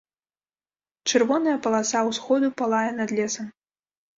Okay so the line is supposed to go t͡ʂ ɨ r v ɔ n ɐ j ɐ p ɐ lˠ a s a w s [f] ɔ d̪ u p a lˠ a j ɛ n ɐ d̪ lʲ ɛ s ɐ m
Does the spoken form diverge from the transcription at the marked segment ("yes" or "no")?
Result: yes